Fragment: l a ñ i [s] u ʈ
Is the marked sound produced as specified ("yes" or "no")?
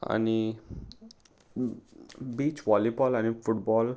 no